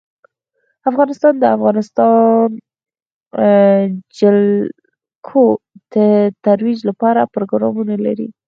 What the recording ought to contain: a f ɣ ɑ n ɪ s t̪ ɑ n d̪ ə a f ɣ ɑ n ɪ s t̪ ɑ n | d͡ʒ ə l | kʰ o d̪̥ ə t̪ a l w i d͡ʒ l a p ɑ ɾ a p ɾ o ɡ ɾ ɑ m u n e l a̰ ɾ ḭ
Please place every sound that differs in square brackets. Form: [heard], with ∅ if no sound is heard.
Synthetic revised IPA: a f ɣ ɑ n ɪ s t̪ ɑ n d̪ ə a f ɣ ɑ n ɪ s t̪ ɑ n | d͡ʒ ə l | kʰ o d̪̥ ə t̪ a [ɾ] w i d͡ʒ l a p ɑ ɾ a p ɾ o ɡ ɾ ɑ m u n [a] l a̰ ɾ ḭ

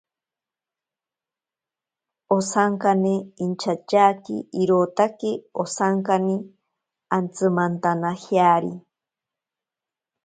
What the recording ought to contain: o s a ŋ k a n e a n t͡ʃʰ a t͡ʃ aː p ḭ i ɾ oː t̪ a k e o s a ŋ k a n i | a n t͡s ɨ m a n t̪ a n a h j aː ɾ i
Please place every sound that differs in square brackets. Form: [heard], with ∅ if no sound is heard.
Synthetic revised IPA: o s a ŋ k a n e [i] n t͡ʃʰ a t͡ʃ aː [k] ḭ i ɾ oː t̪ a k e o s a ŋ k a n i | a n t͡s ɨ m a n t̪ a n a h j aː ɾ i

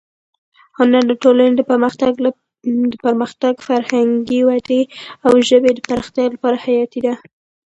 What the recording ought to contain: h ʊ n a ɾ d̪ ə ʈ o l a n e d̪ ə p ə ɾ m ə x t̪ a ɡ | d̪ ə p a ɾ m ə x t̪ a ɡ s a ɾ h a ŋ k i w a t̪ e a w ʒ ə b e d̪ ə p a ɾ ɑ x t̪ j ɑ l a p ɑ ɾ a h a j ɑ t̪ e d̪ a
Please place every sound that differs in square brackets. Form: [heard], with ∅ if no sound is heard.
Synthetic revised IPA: h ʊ n a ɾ d̪ ə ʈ o l a n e d̪ ə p ə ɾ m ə x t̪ a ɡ | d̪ ə p [ə] ɾ m ə x t̪ a ɡ [f] a ɾ h a ŋ [ɡ] i w a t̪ e a w ʒ ə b e d̪ ə p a ɾ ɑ x t̪ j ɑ l a p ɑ ɾ a h a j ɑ t̪ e d̪ a

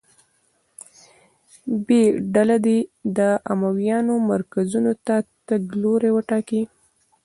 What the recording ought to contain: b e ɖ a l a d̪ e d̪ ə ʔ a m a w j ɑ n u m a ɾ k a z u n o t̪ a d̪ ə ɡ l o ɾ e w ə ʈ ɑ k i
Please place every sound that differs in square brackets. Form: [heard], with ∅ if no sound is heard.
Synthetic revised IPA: b e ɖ a l a d̪ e d̪ ə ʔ a m a w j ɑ n [o] m a ɾ k a z u n o t̪ a [t̪] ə ɡ l o ɾ e w ə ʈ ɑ k i

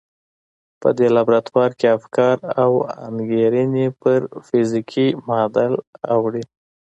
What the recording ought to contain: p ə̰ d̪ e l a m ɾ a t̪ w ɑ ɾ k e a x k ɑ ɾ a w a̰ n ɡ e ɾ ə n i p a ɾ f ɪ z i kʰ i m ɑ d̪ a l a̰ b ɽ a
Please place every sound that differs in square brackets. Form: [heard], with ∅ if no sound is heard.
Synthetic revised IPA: p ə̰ d̪ e l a [b] ɾ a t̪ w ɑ ɾ k e a [f] k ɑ ɾ a w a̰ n ɡ e ɾ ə n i p [ə] ɾ f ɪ z i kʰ i m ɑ d̪ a l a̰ [w] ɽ [i]

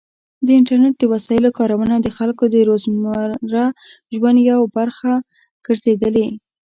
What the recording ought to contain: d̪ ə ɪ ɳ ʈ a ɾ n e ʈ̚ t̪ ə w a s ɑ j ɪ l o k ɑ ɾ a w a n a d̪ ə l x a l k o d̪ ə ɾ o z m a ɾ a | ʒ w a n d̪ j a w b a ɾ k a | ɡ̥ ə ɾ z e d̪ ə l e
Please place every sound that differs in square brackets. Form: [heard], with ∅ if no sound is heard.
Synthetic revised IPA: d̪ ə ɪ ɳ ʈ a ɾ n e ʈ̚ [d̪] ə w a s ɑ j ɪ l o k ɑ ɾ a w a n a d̪ ə [∅] x a l k o d̪ ə ɾ o z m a ɾ a | ʒ w a n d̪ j a w b a ɾ [x] a | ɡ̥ ə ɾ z e d̪ ə l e

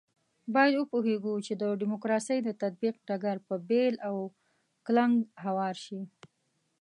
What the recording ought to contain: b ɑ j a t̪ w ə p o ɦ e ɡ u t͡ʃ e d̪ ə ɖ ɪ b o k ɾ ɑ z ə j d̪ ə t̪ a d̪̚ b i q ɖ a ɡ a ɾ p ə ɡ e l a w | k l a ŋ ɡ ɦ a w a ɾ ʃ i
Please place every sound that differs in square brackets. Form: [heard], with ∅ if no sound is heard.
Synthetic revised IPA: b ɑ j a [d̪] w ə p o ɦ e ɡ u t͡ʃ e d̪ ə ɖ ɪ [m] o k ɾ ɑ [s] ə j d̪ ə t̪ a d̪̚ b i q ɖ a ɡ a ɾ p ə [b] e l a w | k l a ŋ ɡ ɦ a w [ɑ] ɾ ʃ i

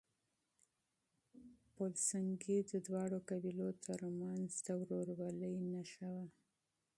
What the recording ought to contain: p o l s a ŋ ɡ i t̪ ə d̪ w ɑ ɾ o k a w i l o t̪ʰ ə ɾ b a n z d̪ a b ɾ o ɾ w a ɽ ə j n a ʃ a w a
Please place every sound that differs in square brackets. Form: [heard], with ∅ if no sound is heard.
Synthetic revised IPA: p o l s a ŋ ɡ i [d̪] ə d̪ w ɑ [ɽ] o k a [b] i l o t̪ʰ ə ɾ [m] a n z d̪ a [w] ɾ o ɾ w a [l] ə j n a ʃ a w a

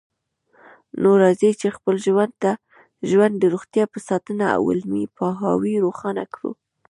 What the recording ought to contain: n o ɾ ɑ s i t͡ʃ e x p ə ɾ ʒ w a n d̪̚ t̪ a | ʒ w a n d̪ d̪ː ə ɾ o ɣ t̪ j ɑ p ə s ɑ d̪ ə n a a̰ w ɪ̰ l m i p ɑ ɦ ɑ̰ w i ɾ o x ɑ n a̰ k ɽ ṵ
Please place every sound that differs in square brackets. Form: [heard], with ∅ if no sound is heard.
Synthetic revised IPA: n o ɾ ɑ [z] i t͡ʃ e x p ə [l] ʒ w a n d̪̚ t̪ a | ʒ w a n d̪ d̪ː ə ɾ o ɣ t̪ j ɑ p ə s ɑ [t̪] ə n a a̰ w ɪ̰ l m i p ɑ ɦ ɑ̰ w i ɾ o x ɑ n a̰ k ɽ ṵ

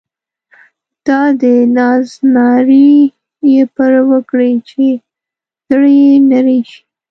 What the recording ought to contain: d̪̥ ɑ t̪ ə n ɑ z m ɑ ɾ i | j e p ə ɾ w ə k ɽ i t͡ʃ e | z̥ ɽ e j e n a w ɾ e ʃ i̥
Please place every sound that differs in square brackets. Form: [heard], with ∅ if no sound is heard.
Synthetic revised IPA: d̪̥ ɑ [d̪] ə n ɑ z [n] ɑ ɾ i | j e p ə ɾ w ə k ɽ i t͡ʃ e | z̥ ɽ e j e n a [∅] ɾ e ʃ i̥

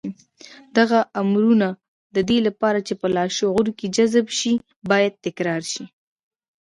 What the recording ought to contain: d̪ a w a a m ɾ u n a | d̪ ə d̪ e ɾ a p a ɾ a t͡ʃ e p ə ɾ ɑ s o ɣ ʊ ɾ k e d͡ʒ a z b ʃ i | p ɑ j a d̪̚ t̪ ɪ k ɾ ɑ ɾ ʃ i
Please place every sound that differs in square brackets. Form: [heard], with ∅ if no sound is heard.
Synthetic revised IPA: d̪ a [ɣ] a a m ɾ u n a | d̪ ə d̪ e [l] a p [ɑ] ɾ a t͡ʃ e p ə [l] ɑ [ʃ] o ɣ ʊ ɾ k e d͡ʒ a z b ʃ i | [b] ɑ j a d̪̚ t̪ ɪ k ɾ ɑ ɾ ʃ i

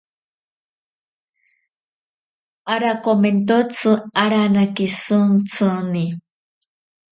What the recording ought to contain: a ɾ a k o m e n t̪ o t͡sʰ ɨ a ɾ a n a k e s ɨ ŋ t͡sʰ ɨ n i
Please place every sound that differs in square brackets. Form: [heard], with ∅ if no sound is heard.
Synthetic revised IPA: a ɾ a k o m e n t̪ o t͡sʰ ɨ a ɾ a n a k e s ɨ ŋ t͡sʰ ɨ n i

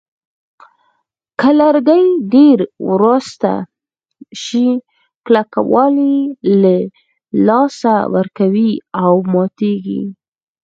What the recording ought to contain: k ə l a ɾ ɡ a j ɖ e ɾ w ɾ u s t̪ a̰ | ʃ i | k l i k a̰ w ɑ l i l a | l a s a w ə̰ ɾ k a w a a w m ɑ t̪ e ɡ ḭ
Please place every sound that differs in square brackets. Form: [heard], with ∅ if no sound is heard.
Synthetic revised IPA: k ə l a ɾ ɡ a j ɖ e ɾ w ɾ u s t̪ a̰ | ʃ i | k l [a] k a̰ w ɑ l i l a | l [ɑ] s a w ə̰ ɾ k a w [i] a w m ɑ t̪ e ɡ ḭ

